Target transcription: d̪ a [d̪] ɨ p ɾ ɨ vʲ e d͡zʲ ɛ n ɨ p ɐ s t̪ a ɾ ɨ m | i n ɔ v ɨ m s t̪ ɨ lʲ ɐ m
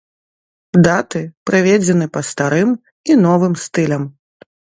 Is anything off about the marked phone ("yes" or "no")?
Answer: yes